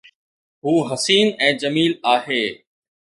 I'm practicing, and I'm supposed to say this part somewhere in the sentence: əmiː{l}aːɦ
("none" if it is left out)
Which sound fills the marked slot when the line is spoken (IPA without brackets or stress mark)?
l